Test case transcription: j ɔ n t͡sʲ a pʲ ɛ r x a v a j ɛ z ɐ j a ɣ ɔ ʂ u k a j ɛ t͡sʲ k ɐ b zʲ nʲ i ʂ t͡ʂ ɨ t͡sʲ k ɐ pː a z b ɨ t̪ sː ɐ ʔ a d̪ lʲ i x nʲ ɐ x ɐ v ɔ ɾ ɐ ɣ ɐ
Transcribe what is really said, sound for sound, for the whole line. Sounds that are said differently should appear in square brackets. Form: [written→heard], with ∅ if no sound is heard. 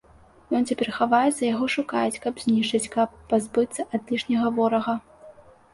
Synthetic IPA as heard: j ɔ n t͡sʲ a pʲ ɛ r x a v a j ɛ z ɐ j a ɣ ɔ ʂ u k a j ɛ t͡sʲ k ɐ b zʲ nʲ i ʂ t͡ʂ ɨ t͡sʲ k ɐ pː a z b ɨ t̪ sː ɐ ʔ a d̪ lʲ i [x→ʂ] nʲ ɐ [x→ɣ] ɐ v ɔ ɾ ɐ ɣ ɐ

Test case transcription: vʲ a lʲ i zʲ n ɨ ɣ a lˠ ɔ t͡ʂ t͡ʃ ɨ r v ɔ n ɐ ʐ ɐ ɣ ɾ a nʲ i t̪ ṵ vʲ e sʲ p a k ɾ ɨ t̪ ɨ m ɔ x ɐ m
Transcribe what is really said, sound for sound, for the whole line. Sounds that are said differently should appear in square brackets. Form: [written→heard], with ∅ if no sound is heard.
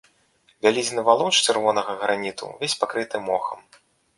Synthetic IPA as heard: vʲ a lʲ i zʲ n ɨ [ɣ→v] a lˠ ɔ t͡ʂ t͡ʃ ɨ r v ɔ n ɐ [ʐ→ɣ] ɐ ɣ ɾ a nʲ i t̪ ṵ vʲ e sʲ p a k ɾ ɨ t̪ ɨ m ɔ x ɐ m

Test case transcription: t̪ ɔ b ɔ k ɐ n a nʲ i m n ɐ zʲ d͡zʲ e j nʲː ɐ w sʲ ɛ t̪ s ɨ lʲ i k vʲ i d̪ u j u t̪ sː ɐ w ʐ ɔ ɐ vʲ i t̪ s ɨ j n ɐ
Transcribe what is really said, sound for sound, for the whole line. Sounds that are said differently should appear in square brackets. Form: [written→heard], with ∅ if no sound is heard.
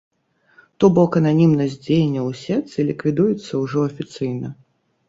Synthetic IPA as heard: t̪ ɔ b ɔ k ɐ n a nʲ i m n ɐ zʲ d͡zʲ e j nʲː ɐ w sʲ ɛ t̪ s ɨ lʲ i k vʲ i d̪ u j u t̪ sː ɐ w ʐ ɔ ɐ [vʲ→fʲ] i t̪ s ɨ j n ɐ

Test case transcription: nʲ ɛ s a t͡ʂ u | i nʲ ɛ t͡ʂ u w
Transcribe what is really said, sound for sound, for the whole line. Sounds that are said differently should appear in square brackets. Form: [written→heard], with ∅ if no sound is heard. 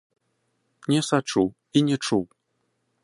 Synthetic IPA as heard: nʲ ɛ s a t͡ʂ u | i nʲ ɛ t͡ʂ u w

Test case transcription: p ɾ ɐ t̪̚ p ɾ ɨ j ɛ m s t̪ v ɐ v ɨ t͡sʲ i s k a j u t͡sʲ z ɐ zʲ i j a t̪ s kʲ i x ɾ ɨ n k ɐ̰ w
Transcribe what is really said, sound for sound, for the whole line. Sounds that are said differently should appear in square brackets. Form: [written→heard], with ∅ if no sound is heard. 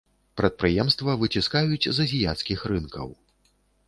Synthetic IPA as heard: p ɾ ɐ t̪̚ p ɾ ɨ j ɛ m s t̪ v ɐ v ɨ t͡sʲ i s k a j u t͡sʲ z ɐ zʲ i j a t̪ s kʲ i x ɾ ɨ n k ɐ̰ w

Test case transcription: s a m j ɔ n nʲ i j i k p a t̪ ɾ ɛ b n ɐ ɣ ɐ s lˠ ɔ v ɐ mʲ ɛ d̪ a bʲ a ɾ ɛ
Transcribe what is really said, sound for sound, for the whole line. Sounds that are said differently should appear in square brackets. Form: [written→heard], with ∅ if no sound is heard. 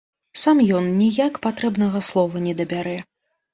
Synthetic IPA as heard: s a m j ɔ n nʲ i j [i→a] k p a t̪ ɾ ɛ b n ɐ ɣ ɐ s lˠ ɔ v ɐ [mʲ→nʲ] ɛ d̪ [a→ɐ] bʲ a ɾ ɛ

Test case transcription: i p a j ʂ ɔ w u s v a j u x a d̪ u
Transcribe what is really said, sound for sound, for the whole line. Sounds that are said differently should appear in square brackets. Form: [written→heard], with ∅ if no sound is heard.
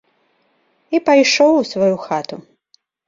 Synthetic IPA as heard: i p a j ʂ ɔ w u s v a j u x a [d̪→t̪] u

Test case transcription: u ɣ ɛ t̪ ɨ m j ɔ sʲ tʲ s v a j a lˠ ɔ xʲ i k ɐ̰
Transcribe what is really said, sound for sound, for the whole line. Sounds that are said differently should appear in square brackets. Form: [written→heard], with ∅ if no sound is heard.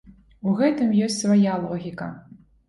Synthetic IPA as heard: u ɣ ɛ t̪ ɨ m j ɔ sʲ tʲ s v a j a lˠ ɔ [xʲ→ɣʲ] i k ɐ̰

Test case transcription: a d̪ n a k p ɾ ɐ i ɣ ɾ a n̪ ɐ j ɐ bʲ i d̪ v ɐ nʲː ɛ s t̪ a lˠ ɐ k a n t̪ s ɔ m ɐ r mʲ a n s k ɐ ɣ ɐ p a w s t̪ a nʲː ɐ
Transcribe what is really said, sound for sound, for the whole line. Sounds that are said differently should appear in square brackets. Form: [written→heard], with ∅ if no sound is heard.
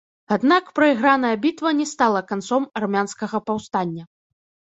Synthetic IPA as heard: a d̪ n a k p ɾ ɐ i ɣ ɾ a n̪ ɐ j ɐ bʲ i [d̪→t̪] v ɐ [nʲː→nʲ] ɛ s t̪ a lˠ ɐ k a n t̪ s ɔ m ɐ r mʲ a n s k ɐ ɣ ɐ p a w s t̪ a nʲː ɐ

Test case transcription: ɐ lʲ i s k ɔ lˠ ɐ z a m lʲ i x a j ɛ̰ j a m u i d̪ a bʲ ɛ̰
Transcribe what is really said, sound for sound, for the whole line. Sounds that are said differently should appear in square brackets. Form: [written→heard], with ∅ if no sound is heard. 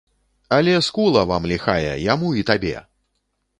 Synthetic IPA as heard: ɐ lʲ [i→ɛ] s k [ɔ→u] lˠ ɐ [z→v] a m lʲ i x a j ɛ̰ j a m u i [d̪→t̪] a bʲ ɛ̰

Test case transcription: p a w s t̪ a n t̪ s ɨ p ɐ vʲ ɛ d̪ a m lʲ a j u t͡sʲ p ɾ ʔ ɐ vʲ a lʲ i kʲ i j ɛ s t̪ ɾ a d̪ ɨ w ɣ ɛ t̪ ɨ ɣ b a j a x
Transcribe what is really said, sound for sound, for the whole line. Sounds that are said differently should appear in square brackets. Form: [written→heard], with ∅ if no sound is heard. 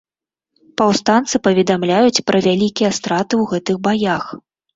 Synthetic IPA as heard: p a w s t̪ a n t̪ s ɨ p ɐ vʲ ɛ d̪ a m lʲ a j u t͡sʲ p ɾ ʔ ɐ vʲ a lʲ i kʲ i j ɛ s t̪ ɾ a [d̪→t̪] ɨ w ɣ ɛ t̪ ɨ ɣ b a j a x

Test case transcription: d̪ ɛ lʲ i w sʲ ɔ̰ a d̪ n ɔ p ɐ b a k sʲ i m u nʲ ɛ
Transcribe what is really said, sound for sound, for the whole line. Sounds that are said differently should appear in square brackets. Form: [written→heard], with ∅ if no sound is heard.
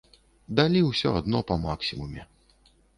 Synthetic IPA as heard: d̪ [ɛ→a] lʲ i w sʲ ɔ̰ a d̪ n ɔ p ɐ [b→m] a k sʲ i m u [nʲ→mʲ] ɛ

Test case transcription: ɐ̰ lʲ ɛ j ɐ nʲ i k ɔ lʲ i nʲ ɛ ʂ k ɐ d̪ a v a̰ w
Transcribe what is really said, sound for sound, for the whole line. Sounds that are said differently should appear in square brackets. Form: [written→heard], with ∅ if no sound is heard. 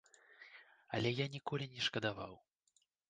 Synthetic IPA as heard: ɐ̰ lʲ ɛ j [ɐ→a] nʲ i k ɔ lʲ i nʲ ɛ ʂ k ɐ d̪ a v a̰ w

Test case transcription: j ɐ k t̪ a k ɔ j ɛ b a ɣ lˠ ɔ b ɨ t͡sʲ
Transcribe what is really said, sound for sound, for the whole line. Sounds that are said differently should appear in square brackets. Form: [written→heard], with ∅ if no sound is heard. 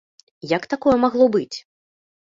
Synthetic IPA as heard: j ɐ k t̪ a k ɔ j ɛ [b→m] a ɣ lˠ ɔ b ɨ t͡sʲ

